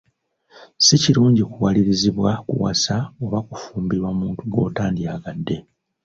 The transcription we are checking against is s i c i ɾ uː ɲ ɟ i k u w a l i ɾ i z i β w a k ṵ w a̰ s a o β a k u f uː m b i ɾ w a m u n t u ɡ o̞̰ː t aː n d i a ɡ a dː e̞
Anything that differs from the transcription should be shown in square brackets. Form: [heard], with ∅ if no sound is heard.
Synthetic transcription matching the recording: s i c i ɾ uː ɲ ɟ i k u w a l i ɾ i z i β w a k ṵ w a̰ s a o β a k u f uː m b i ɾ w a m [uː] n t u ɡ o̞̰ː t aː n d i a ɡ a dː e̞